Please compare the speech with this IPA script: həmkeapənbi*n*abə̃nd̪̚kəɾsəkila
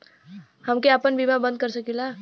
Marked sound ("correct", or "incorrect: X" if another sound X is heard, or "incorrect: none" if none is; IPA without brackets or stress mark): incorrect: m